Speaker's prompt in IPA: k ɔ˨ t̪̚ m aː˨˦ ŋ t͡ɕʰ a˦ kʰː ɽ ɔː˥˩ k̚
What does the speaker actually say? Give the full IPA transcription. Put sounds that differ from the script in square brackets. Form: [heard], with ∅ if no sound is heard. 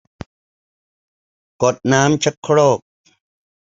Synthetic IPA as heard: k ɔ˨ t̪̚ [n] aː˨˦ [m] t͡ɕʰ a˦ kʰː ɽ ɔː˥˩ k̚